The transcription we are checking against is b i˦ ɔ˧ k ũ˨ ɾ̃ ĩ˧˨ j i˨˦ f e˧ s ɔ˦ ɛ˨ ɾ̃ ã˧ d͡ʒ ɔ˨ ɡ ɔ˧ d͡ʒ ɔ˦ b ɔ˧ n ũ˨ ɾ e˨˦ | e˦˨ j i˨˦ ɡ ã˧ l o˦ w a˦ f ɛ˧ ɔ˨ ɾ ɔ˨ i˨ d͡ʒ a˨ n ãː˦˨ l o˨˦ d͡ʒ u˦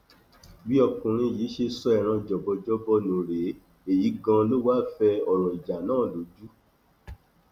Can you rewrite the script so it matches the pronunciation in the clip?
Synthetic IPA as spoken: b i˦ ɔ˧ k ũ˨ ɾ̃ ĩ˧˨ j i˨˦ ʃ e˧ s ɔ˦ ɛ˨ ɾ̃ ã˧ d͡ʒ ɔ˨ b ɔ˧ d͡ʒ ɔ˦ b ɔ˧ n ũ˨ ɾ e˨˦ | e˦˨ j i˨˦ ɡ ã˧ l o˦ w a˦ f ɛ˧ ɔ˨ ɾ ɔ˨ i˨ d͡ʒ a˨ n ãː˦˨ l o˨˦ d͡ʒ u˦